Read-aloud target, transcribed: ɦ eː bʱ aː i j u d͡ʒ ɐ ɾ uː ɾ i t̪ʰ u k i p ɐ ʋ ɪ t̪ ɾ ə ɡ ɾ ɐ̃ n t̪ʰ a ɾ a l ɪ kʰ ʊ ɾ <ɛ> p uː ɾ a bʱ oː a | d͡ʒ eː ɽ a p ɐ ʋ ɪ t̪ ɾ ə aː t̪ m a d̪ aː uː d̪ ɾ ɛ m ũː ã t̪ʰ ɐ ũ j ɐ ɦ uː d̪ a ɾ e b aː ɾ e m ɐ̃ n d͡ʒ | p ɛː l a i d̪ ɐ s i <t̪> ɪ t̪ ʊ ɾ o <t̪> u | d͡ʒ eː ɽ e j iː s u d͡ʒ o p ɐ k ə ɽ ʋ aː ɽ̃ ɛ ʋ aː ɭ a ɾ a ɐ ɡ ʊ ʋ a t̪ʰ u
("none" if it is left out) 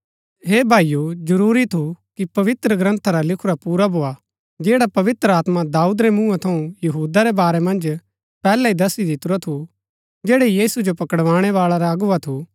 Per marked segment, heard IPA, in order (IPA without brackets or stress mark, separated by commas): a, d̪, t̪ʰ